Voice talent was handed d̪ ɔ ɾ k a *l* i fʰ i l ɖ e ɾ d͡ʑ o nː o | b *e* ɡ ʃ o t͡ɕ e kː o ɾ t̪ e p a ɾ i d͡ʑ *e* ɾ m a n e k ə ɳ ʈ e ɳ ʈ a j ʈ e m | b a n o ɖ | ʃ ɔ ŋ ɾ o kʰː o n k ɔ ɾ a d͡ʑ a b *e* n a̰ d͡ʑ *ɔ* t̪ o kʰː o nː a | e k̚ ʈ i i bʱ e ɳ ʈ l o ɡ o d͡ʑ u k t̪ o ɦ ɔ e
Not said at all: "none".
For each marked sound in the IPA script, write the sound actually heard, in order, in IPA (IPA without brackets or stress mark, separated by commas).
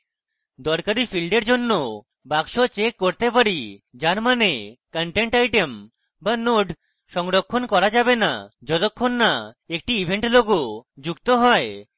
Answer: ɾ, a, a, e, ɔ